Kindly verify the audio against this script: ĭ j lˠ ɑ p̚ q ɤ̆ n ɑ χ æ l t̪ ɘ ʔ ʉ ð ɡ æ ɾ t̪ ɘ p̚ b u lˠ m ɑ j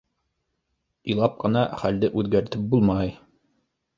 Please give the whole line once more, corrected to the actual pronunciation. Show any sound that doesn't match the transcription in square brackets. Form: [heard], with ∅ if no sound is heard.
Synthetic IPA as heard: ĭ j lˠ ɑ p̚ q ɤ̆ n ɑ χ æ l [d̪] ɘ ʔ ʉ ð ɡ æ ɾ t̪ ɘ p̚ b u lˠ m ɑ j